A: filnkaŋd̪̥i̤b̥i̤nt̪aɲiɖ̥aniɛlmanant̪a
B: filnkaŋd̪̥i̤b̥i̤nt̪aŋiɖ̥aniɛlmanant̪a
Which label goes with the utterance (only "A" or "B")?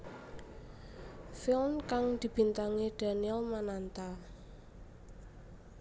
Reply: B